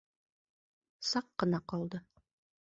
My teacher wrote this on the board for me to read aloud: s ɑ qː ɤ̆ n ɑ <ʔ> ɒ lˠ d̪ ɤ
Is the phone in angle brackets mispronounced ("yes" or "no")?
yes